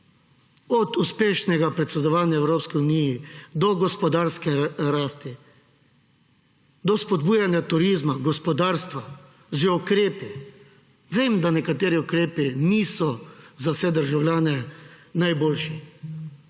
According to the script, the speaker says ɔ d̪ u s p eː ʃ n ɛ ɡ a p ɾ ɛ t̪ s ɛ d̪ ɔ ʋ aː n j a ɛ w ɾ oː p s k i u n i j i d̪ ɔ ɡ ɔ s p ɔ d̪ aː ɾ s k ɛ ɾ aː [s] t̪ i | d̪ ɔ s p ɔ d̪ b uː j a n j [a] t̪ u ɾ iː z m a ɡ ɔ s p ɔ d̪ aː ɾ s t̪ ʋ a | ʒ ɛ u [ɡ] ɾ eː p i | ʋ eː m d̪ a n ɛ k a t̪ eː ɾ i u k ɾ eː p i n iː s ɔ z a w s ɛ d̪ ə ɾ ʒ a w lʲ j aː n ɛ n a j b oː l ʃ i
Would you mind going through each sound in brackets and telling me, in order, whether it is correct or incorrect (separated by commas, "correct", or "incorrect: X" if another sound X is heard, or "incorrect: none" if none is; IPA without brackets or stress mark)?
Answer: correct, correct, incorrect: k